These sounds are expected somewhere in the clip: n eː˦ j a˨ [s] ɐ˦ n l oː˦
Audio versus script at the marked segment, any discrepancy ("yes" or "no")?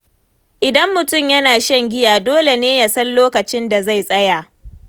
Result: no